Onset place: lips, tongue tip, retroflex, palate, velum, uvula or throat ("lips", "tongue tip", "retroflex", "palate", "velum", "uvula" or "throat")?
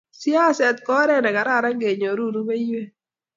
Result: tongue tip